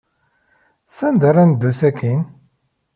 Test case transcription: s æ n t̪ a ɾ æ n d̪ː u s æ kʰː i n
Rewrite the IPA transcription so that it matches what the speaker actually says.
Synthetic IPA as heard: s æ n d̪ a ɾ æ n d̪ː u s æ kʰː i n

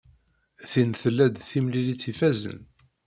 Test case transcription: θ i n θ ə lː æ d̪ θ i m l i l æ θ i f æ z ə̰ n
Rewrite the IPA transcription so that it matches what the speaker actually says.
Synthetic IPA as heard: θ i n θ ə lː æ d̪ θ i m l i l i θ i f æ z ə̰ n

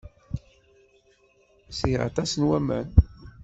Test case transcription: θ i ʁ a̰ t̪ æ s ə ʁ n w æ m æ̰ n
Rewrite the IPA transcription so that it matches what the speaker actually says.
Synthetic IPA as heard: s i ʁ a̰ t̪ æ s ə n w æ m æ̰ n

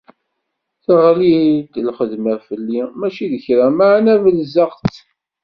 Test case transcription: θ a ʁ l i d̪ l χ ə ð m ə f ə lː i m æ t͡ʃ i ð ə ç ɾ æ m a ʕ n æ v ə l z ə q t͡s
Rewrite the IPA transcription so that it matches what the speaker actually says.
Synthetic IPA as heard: θ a ʁ l i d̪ l χ ə ð m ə f ə lː i m æ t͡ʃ i ð ə ç ɾ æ m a ʕ n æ v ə l z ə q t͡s

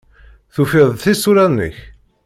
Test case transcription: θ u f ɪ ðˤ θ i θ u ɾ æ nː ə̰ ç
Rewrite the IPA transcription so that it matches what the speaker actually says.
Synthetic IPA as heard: θ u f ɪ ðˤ θ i s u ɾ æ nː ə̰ ç

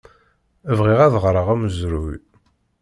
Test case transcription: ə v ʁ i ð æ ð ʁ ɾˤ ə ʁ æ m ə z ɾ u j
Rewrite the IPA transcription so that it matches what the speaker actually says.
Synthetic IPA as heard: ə v ʁ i ʁ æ ð ʁ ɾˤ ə ʁ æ m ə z ɾ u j

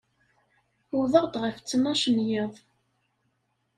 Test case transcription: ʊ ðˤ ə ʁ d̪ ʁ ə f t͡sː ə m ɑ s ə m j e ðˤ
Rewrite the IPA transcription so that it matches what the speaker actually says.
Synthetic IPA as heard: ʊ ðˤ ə ʁ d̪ ʁ ə f t͡sː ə n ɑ ʃ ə n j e ðˤ

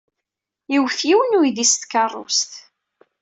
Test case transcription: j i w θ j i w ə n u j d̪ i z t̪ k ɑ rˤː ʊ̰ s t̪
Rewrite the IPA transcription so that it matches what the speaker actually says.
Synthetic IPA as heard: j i w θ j i w ə n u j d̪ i s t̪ k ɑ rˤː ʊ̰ s t̪

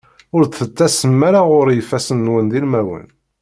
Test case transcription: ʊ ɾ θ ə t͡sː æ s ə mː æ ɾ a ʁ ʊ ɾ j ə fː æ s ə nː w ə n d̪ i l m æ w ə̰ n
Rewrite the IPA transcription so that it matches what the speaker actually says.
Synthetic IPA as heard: ʊ ɾ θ ə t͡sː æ s ə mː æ ɾ a ʁ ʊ ɾ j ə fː æ s ə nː w ə n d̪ i l m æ w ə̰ n

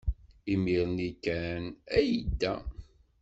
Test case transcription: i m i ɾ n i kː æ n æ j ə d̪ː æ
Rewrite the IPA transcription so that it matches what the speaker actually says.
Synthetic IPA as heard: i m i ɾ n i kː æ n æ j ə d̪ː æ

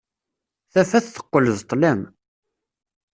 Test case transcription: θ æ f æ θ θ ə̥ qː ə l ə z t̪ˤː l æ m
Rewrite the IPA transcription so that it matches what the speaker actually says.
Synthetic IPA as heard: θ æ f æ θ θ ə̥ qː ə l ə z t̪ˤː l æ m

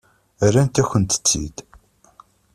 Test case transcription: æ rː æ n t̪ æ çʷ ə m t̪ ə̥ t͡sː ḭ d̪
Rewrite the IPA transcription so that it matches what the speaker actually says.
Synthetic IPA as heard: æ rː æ n t̪ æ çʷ ə n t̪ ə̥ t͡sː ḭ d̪

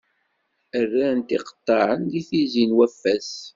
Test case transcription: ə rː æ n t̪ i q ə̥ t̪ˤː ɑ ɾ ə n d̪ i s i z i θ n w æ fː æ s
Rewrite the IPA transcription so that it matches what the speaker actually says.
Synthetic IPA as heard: ə rː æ n t̪ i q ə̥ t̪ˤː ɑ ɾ ə n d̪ i θ i z i n w æ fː æ s

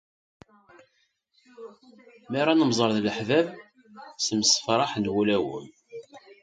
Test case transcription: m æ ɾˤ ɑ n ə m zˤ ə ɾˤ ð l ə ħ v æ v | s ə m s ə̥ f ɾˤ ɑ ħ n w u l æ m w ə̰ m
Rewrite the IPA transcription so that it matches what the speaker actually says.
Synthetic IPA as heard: m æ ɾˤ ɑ n ə m zˤ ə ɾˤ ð l ə ħ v æ v | s ə m s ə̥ f ɾˤ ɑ ħ n w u l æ w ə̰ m

